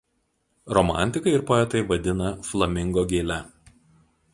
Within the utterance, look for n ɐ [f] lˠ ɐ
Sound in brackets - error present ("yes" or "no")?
no